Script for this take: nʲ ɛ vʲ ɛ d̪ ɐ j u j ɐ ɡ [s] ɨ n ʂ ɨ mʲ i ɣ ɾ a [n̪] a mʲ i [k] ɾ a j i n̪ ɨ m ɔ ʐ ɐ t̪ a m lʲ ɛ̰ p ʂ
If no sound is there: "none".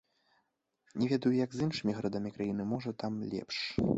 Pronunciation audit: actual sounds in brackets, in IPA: z, d̪, k

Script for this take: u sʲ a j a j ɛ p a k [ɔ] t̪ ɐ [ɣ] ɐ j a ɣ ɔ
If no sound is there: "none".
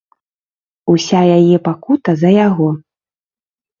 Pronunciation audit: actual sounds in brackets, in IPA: u, z

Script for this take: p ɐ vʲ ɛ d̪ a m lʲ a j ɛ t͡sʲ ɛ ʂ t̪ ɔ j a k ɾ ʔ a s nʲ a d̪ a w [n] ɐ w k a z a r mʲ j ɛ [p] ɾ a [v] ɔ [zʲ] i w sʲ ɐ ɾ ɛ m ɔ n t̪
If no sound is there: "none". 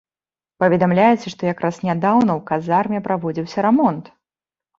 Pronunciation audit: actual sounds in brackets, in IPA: n, p, v, d͡zʲ

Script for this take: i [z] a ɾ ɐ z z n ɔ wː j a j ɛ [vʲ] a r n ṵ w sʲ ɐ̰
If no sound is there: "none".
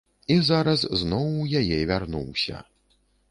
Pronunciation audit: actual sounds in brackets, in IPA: z, vʲ

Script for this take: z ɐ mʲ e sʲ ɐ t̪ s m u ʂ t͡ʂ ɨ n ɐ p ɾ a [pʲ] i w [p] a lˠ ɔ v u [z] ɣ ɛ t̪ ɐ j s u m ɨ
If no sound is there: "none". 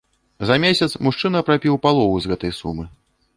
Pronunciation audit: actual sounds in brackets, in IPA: pʲ, p, z

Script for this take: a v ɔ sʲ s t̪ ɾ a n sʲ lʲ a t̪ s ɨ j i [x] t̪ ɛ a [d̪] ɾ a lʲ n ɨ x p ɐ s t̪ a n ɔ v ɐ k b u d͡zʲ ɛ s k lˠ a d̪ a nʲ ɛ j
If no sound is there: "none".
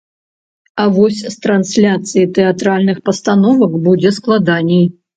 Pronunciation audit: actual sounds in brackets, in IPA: none, t̪

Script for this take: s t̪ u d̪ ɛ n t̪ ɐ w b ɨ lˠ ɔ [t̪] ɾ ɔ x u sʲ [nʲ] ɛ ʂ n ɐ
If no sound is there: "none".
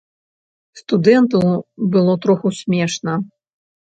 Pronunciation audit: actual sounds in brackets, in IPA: t̪, mʲ

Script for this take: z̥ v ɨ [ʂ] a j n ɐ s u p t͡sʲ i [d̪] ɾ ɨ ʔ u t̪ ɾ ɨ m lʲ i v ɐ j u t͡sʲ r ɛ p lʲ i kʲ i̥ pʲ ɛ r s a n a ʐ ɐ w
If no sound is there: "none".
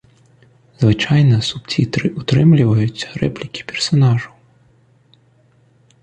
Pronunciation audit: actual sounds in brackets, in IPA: t͡ʂ, t̪

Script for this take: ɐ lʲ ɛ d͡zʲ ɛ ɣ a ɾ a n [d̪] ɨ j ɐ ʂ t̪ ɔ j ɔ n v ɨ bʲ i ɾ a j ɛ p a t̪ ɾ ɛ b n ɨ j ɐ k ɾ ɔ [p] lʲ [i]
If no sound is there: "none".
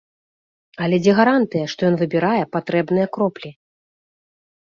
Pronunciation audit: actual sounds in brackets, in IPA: t̪, p, i

